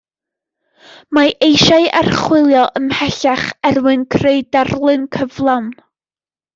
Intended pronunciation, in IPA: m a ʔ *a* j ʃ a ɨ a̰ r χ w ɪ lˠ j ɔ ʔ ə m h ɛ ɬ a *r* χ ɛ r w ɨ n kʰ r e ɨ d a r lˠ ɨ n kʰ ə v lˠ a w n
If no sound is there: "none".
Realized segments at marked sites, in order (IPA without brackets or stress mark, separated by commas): e, none